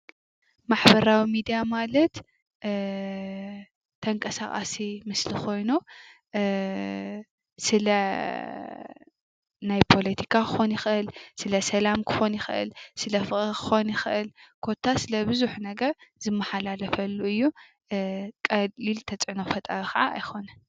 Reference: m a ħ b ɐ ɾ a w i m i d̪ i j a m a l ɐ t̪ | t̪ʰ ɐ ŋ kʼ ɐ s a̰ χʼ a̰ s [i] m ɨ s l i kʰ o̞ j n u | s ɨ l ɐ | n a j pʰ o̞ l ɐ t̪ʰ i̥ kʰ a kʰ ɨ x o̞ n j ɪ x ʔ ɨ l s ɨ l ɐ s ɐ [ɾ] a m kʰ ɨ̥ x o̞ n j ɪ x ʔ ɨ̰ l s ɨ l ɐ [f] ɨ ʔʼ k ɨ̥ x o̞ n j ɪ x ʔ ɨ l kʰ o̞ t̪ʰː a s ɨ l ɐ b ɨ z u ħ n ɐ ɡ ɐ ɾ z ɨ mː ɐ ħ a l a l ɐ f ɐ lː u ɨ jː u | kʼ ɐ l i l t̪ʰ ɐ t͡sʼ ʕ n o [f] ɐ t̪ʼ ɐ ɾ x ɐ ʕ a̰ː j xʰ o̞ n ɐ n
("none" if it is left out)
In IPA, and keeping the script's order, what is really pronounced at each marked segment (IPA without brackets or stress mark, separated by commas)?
i, l, f, f